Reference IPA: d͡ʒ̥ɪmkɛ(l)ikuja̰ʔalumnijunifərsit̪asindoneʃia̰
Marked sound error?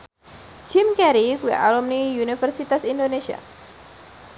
yes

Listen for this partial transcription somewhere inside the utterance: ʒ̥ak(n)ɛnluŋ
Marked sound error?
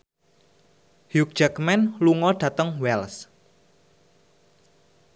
yes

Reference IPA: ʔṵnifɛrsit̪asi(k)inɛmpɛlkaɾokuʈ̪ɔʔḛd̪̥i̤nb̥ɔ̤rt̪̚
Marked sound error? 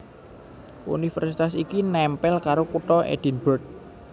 no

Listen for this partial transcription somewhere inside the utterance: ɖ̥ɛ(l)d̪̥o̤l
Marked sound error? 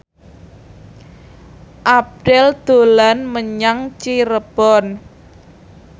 no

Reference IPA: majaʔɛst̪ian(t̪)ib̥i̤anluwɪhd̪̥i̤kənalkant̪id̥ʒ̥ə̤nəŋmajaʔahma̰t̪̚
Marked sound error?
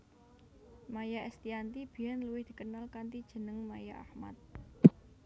no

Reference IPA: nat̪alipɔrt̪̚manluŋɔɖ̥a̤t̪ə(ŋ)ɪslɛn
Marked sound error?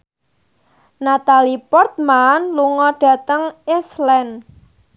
no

